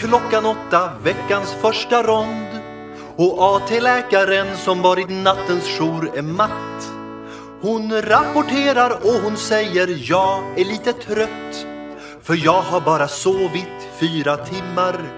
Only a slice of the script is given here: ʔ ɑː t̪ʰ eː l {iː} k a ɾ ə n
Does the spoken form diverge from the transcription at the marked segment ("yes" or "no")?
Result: yes